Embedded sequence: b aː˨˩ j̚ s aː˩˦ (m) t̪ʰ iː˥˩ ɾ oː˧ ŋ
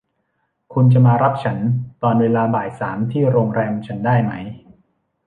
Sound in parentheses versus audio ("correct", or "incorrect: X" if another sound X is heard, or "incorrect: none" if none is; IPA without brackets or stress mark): correct